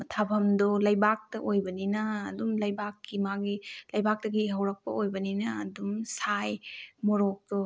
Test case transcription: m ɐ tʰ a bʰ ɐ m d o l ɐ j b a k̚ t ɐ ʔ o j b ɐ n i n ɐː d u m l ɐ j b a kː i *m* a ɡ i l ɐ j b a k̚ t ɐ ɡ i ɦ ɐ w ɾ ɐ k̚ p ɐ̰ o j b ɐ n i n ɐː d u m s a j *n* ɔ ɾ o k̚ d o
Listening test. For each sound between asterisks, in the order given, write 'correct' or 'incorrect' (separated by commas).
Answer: correct, incorrect